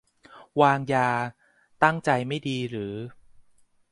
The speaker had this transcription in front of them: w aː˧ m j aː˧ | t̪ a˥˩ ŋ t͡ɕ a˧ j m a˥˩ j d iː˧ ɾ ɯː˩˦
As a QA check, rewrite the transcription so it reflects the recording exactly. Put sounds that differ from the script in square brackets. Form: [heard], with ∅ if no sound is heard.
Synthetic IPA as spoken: w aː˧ [ŋ] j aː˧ | t̪ a˥˩ ŋ t͡ɕ a˧ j m a˥˩ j d iː˧ ɾ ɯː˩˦